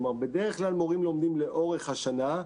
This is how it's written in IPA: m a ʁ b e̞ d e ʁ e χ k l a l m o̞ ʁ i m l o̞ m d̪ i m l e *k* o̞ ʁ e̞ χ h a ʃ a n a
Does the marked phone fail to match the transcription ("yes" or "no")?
yes